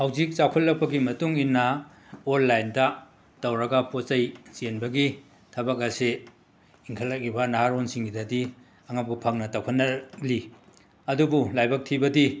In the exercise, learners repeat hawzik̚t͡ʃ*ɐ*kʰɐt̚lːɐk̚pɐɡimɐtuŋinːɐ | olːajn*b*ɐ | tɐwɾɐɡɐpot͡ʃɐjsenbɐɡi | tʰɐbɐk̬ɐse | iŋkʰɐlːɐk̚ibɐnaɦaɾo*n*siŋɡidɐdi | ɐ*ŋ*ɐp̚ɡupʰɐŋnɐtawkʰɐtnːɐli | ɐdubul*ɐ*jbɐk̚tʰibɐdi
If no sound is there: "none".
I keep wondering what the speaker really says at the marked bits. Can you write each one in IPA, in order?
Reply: a, d, n, ŋ, a

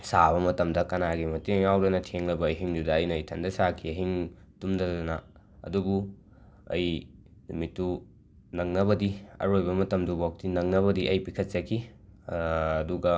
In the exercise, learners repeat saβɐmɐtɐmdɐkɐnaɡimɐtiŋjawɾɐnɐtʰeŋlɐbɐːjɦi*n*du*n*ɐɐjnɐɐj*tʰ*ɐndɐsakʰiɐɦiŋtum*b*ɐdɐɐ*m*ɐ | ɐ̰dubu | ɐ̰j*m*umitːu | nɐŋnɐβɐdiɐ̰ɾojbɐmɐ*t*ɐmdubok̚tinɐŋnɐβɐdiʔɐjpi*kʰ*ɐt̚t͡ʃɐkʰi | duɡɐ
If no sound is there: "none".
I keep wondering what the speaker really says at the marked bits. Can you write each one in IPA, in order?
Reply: ŋ, d, tʰ, d, n, n, t, kʰ

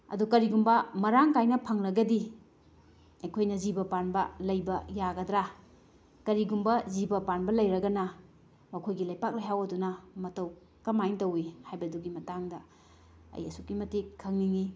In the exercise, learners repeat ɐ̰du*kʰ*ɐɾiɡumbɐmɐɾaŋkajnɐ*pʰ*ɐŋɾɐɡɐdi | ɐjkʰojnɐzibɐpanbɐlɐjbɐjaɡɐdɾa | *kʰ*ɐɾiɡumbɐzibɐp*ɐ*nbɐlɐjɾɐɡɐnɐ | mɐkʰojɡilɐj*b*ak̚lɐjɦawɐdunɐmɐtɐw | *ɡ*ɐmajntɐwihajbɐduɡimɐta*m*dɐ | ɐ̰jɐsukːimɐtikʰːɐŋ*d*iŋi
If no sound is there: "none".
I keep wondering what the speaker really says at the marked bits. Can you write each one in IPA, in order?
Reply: k, pʰ, k, a, p, k, ŋ, n

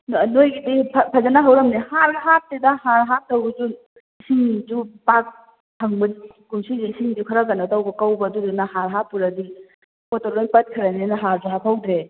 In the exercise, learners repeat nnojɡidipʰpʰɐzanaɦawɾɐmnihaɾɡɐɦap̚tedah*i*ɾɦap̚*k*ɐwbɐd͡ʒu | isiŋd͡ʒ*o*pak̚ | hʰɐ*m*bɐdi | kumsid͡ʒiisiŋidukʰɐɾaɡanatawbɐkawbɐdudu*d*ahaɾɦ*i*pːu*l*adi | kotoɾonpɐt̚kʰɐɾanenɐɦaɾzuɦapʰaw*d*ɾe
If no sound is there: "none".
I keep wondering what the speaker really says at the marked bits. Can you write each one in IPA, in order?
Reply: a, t, u, ŋ, n, a, ɾ, d

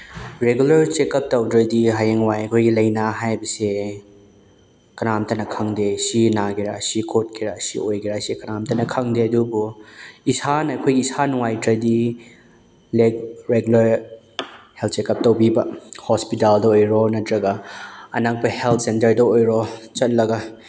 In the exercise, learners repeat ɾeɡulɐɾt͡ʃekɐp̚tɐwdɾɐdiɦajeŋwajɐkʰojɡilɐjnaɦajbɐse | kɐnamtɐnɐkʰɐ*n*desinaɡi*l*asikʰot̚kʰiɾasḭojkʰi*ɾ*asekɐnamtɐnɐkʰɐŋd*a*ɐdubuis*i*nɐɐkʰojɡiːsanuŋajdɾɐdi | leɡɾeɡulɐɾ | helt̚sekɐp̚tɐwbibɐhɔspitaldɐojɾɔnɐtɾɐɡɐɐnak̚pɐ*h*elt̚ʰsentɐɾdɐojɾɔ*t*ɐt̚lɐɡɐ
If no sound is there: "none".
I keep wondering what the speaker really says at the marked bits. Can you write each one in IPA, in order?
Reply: ŋ, ɾ, ɾ, e, a, h, t͡ʃ

